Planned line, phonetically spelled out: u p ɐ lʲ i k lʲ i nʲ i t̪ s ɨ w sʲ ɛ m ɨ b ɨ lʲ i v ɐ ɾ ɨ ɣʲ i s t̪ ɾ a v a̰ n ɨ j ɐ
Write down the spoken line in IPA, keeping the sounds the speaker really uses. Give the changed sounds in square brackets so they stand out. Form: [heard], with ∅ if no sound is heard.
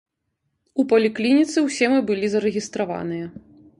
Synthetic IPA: u p ɐ lʲ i k lʲ i nʲ i t̪ s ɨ w sʲ ɛ m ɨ b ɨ lʲ i [z] ɐ ɾ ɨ ɣʲ i s t̪ ɾ a v a̰ n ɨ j ɐ